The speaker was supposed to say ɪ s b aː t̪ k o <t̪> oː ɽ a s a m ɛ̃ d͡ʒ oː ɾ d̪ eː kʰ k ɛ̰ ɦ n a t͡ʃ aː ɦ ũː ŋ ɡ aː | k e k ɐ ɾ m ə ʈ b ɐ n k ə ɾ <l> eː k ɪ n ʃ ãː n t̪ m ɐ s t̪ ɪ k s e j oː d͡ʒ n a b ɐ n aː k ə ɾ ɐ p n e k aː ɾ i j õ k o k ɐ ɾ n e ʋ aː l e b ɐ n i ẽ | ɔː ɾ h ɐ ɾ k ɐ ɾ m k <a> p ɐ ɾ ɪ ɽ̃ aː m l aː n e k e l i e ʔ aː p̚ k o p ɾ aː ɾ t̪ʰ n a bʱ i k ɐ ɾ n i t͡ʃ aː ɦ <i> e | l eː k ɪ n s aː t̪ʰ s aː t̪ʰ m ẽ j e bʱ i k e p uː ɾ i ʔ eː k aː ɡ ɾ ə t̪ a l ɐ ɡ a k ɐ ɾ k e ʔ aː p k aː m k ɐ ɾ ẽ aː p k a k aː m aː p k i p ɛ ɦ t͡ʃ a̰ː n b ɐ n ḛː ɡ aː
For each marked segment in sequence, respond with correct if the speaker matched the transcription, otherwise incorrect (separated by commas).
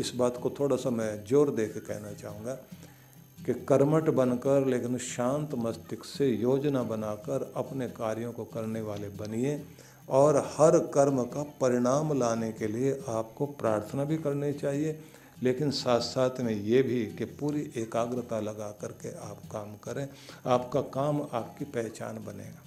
incorrect, correct, correct, correct